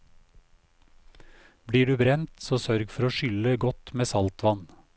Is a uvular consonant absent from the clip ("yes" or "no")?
yes